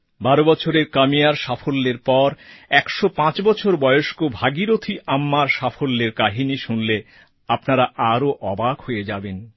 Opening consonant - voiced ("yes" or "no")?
yes